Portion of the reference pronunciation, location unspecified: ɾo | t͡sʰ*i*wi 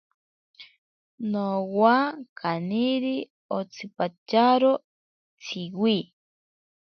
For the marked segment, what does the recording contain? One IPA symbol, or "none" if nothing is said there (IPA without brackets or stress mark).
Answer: i